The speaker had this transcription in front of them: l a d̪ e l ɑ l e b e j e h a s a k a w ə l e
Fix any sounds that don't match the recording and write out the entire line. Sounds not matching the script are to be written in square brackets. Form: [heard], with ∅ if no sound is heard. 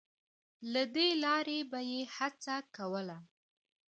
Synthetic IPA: l a d̪ e l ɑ [ɾ] e b [a] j e h a [t͡s] a k a w ə l [a]